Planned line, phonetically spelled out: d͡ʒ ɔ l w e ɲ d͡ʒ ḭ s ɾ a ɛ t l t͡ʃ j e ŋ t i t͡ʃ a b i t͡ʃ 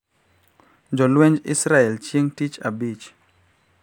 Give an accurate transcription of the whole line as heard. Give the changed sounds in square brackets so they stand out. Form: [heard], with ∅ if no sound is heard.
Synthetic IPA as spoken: d͡ʒ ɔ l w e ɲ d͡ʒ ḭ s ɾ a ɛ [∅] l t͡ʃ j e ŋ t i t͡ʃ a b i t͡ʃ

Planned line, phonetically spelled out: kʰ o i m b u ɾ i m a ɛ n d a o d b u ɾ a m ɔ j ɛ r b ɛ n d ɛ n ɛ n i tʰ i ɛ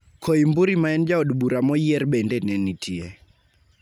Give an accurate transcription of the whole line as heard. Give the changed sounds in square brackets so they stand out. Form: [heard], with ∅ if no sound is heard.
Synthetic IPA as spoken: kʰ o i m b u ɾ i m a ɛ n [d͡ʒ] a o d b u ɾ a m ɔ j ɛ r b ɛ n d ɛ n ɛ n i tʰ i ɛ

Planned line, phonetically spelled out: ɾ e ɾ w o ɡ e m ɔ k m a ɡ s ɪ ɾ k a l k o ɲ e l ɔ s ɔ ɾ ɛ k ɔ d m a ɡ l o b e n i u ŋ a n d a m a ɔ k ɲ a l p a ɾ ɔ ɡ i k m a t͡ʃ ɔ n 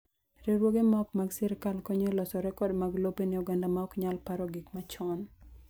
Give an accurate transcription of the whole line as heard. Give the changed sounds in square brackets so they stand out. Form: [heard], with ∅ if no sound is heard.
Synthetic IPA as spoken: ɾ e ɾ w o ɡ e m ɔ k m a ɡ s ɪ ɾ k a l k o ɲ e l ɔ s ɔ ɾ ɛ k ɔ d m a ɡ l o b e n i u [ɡ] a n d a m a ɔ k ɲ a l p a ɾ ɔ ɡ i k m a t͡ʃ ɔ n

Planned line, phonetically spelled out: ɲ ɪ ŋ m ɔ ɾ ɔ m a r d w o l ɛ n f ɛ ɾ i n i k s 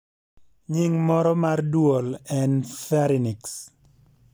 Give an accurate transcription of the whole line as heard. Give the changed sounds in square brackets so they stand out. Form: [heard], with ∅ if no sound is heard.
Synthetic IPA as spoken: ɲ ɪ ŋ m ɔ ɾ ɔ m a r d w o l ɛ n f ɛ ɾ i n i k s

